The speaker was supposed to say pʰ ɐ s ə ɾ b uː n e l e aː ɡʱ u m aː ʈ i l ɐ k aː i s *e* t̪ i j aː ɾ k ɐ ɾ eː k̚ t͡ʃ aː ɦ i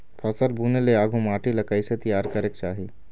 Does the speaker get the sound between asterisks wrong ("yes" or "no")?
no